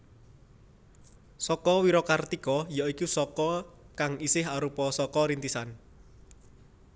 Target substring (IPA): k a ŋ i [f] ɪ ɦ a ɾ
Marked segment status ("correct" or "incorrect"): incorrect